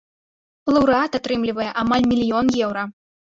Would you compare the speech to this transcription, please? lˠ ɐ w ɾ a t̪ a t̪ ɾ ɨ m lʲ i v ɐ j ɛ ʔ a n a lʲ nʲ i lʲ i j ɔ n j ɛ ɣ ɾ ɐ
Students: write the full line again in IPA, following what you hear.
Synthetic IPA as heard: lˠ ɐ w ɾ a t̪ a t̪ ɾ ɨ m lʲ i v ɐ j ɛ ʔ a m a lʲ mʲ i lʲ i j ɔ n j ɛ w ɾ ɐ